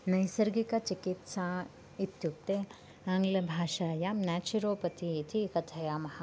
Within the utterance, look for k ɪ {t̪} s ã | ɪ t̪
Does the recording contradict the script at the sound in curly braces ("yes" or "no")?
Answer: no